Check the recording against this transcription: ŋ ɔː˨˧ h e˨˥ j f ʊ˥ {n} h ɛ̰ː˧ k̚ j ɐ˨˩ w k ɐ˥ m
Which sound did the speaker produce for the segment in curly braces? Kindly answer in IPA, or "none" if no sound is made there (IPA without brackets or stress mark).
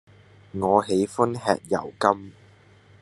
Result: n